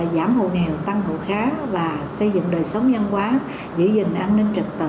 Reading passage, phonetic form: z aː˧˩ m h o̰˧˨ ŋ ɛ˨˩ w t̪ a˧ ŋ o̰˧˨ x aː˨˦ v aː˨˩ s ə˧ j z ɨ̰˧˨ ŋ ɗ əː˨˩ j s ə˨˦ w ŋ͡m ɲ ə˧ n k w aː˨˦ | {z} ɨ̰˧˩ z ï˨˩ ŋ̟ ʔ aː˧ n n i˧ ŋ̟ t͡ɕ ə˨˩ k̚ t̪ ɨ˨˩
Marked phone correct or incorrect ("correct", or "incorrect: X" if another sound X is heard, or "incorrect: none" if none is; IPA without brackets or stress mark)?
correct